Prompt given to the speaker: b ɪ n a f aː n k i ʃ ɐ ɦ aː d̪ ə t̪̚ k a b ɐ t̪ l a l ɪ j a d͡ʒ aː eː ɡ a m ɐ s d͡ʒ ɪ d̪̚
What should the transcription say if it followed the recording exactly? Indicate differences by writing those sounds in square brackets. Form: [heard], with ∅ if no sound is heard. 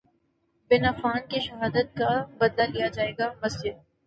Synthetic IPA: b ɪ n a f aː n k i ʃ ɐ ɦ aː d̪ ə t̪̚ k a b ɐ [d̪] l a l [i] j a d͡ʒ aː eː ɡ a m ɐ s d͡ʒ ɪ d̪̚